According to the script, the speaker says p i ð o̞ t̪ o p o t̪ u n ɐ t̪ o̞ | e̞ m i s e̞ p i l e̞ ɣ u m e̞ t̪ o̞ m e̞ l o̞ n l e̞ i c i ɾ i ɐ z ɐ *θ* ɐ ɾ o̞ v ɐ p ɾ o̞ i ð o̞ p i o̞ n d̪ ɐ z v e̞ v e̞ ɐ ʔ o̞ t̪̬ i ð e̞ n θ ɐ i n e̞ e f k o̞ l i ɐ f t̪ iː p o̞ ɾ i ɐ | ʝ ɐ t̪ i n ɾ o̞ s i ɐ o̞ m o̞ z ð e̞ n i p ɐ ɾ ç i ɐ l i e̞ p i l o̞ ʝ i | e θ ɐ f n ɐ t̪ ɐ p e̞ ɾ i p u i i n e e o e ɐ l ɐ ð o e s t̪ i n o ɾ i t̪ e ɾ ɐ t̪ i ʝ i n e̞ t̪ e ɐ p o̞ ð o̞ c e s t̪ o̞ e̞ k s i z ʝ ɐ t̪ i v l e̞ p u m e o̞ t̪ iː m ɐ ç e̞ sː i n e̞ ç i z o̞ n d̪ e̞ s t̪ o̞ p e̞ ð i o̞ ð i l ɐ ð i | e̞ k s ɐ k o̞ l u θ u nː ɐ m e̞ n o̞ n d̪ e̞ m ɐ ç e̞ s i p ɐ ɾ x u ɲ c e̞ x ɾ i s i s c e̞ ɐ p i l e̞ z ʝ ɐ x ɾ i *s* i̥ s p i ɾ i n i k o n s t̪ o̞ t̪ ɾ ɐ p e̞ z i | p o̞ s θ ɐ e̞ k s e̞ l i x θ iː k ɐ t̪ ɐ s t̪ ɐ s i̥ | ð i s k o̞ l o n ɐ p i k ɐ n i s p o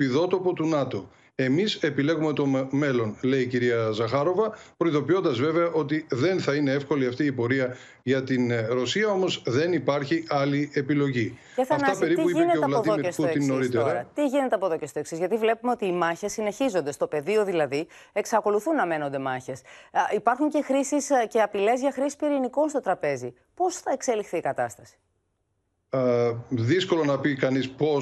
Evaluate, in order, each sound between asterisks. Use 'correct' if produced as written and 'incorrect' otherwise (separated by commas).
incorrect, correct